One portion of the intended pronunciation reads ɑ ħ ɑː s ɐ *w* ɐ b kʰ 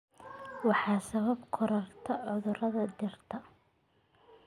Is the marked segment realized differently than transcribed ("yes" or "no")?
yes